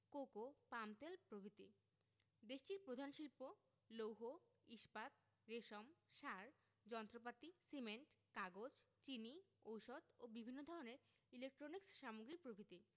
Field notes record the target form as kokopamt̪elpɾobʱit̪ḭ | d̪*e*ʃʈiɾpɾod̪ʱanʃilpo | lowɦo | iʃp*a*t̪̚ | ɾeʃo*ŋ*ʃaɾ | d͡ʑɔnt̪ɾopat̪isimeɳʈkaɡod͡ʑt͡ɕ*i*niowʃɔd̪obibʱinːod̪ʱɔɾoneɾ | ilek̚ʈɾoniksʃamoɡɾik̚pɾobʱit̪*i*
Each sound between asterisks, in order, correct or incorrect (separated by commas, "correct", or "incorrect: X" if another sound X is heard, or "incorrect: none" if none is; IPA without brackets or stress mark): correct, correct, incorrect: m, correct, correct